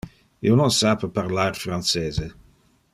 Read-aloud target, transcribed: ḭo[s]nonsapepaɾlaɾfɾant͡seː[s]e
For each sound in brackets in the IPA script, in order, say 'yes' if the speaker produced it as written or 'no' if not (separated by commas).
no, no